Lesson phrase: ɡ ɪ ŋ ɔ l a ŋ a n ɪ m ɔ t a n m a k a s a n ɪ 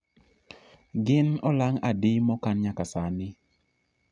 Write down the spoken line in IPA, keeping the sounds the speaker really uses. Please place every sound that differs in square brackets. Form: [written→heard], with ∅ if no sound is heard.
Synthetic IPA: ɡ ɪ [ŋ→n] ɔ l a ŋ a [n→d] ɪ m ɔ [t→k] a n [m→ɲ] a k a s a n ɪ